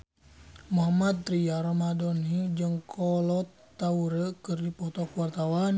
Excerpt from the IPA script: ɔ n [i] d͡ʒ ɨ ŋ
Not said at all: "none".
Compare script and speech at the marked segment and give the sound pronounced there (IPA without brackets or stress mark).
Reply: i